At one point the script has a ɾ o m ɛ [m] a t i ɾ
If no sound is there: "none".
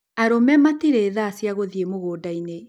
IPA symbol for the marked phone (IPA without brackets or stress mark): m